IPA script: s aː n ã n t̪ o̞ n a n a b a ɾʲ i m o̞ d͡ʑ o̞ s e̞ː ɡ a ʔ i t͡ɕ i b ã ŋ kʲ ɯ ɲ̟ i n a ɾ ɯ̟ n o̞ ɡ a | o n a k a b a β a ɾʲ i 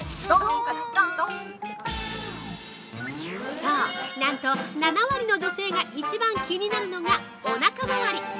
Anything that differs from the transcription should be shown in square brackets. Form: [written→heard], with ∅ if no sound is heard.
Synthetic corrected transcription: s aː n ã n t̪ o̞ n a n a [b→β] a ɾʲ i [m→n] o̞ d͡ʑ o̞ s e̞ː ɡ a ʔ i t͡ɕ i b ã ŋ kʲ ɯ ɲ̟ i n a ɾ ɯ̟ n o̞ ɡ a | o n a k a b a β a ɾʲ i